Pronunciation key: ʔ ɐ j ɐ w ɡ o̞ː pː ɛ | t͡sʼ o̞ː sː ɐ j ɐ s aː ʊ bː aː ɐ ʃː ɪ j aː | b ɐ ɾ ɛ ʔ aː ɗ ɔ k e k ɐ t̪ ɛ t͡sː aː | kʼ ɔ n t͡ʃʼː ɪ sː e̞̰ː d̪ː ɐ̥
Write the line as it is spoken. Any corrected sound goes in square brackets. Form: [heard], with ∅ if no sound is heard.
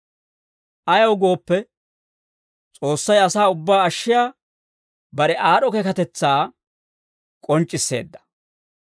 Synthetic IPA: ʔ ɐ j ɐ w ɡ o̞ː pː ɛ | t͡sʼ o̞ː sː ɐ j ɐ s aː ʊ bː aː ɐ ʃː ɪ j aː | b ɐ ɾ ɛ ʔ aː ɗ ɔ k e k ɐ t̪ ɛ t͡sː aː | kʼ ɔ n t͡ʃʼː ɪ sː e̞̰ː d̪ː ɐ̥